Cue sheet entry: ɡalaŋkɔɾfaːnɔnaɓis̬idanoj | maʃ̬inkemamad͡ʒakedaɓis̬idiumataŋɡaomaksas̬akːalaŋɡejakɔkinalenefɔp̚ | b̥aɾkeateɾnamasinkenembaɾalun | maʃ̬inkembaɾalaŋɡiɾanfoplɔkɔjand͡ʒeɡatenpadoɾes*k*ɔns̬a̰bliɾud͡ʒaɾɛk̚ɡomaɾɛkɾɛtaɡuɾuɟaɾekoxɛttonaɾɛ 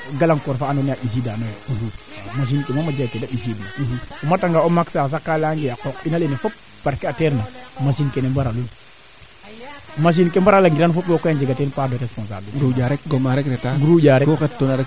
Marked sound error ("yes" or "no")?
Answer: yes